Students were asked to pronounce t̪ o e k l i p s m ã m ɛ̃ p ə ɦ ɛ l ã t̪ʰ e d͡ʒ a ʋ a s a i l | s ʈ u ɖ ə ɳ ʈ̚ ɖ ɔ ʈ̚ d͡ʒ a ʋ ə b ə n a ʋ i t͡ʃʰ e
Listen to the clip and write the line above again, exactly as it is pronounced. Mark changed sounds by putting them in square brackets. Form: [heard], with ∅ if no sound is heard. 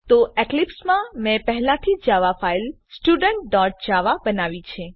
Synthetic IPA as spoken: t̪ o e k l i p s m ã m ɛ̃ p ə ɦ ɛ l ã t̪ʰ [i] d͡ʒ a ʋ a [f] a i l | s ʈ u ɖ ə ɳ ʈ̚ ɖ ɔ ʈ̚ d͡ʒ a ʋ [a] b ə n a ʋ i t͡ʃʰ e